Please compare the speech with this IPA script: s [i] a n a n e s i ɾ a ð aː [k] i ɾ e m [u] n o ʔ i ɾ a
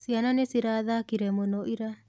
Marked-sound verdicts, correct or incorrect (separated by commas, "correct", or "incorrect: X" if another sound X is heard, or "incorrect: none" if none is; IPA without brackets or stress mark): correct, correct, incorrect: o